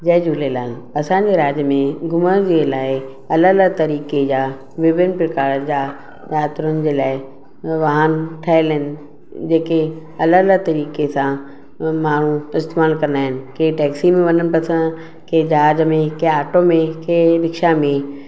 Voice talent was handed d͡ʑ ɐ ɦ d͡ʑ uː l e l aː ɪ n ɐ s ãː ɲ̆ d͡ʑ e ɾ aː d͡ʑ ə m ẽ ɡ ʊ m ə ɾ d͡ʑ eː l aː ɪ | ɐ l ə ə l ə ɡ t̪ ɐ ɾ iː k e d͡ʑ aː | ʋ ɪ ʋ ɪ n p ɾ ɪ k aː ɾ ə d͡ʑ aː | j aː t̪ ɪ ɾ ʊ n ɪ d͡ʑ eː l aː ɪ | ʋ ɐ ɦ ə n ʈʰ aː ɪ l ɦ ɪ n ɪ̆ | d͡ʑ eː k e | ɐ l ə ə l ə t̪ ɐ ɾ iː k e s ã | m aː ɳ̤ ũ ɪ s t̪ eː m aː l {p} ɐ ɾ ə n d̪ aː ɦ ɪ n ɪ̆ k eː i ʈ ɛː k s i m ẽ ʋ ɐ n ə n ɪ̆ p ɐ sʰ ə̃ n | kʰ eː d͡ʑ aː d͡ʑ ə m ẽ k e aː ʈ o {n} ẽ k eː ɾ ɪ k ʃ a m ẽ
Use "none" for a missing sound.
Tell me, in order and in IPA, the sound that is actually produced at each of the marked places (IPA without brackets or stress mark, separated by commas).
k, m